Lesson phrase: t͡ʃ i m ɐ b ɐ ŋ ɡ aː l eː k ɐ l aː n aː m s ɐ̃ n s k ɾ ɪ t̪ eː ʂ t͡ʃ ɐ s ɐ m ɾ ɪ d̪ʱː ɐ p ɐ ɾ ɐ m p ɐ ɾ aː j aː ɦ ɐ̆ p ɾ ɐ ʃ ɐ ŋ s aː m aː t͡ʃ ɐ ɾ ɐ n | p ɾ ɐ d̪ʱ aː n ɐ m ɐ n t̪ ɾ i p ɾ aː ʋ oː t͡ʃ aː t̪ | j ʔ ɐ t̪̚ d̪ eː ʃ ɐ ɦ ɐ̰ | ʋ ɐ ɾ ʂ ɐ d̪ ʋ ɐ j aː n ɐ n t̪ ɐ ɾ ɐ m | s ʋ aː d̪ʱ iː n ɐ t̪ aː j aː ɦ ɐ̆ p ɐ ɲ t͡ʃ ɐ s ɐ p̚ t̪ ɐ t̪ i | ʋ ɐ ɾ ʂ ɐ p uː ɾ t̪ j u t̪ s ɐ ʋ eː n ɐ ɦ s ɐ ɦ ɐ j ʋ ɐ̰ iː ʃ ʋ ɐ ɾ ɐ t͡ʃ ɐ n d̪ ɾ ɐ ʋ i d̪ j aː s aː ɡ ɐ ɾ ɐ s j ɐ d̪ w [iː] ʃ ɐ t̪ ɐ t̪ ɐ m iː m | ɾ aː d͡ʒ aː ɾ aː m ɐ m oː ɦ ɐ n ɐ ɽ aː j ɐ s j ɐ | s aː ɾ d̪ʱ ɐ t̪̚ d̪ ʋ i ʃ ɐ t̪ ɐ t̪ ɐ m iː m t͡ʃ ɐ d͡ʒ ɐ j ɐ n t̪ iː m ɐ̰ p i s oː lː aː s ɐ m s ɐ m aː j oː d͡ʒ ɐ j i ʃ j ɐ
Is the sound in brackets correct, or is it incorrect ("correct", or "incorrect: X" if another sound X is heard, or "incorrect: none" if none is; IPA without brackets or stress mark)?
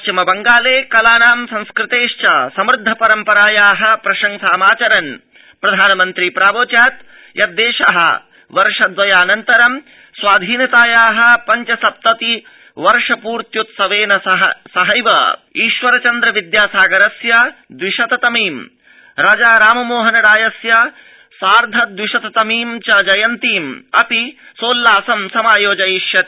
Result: incorrect: i